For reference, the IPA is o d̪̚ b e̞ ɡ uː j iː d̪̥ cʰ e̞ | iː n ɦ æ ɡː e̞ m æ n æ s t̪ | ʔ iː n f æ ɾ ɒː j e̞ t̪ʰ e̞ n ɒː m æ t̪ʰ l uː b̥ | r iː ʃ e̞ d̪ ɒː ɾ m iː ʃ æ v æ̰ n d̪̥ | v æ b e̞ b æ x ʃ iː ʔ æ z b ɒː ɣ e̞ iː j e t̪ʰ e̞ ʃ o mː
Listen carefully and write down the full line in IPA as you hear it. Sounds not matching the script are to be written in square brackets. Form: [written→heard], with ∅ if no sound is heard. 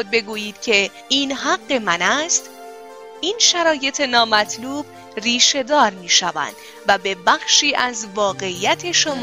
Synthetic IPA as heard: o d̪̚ b e̞ ɡ uː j iː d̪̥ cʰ e̞ | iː n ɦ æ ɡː e̞ m æ n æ s t̪ | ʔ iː n [f→ʃ] æ ɾ ɒː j e̞ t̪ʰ e̞ n ɒː m æ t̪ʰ l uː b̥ | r iː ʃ e̞ d̪ ɒː ɾ m iː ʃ æ v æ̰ n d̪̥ | v æ b e̞ b æ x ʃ iː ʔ æ z [b→v] ɒː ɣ e̞ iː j [e→æ] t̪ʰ e̞ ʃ o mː